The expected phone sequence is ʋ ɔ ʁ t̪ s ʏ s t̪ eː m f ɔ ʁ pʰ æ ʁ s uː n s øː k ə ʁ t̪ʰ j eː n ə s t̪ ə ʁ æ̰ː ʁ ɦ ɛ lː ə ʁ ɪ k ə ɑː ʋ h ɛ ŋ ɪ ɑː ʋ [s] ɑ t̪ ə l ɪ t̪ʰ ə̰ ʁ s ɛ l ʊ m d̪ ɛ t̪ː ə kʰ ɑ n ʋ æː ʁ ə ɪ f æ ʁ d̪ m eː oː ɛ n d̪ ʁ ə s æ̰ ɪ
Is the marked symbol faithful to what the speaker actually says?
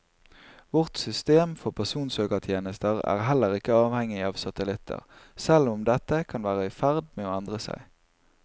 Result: yes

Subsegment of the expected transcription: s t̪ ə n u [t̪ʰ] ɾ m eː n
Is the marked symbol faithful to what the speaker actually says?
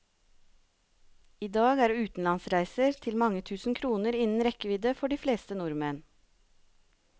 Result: no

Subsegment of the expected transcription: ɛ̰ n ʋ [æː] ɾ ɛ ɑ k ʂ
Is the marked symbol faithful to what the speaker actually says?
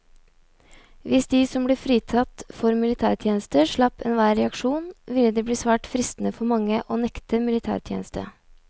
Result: yes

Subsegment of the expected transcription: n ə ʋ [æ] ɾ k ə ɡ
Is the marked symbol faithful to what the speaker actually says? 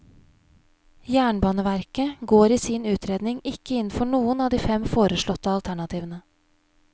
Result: yes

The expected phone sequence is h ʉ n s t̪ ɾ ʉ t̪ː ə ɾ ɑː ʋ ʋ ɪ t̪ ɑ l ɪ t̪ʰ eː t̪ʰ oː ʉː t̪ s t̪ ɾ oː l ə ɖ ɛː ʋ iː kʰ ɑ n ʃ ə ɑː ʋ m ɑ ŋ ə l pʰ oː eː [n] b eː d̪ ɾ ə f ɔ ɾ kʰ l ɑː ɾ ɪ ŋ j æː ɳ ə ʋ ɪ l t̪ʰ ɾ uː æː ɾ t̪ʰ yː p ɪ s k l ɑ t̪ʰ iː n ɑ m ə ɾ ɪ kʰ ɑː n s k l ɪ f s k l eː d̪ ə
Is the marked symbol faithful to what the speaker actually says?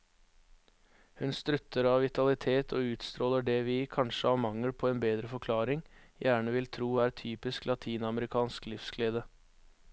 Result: yes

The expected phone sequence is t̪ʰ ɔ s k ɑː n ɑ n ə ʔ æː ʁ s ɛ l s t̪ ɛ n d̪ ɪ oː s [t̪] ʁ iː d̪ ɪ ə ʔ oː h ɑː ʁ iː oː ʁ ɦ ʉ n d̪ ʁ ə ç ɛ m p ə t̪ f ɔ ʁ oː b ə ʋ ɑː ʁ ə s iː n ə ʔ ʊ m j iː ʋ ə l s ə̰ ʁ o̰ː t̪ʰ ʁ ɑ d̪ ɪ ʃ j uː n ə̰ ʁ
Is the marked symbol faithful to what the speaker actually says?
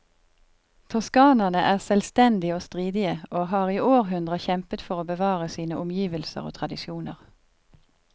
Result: yes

